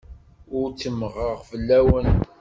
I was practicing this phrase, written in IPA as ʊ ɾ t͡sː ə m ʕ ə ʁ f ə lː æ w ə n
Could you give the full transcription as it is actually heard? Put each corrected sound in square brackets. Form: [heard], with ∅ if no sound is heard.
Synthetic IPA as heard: ʊ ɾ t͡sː ə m [ʁ] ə ʁ f ə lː æ w ə n